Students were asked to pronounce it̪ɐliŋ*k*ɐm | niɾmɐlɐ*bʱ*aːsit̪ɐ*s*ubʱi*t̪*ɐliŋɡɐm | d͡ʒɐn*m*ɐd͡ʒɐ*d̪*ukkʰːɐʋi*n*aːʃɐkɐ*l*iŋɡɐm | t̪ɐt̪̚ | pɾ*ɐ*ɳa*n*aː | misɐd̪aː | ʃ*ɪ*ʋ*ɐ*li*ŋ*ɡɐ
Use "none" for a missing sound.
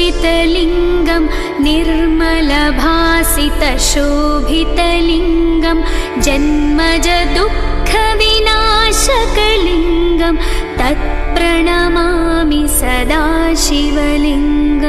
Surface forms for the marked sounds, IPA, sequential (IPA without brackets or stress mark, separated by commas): ɡ, bʱ, ʃ, t̪, m, d̪, n, l, ɐ, m, i, ɐ, ŋ